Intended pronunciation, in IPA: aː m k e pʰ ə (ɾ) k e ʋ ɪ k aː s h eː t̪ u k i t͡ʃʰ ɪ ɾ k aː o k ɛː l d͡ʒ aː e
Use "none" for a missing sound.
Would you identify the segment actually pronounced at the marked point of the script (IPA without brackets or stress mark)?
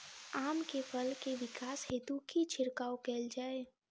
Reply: l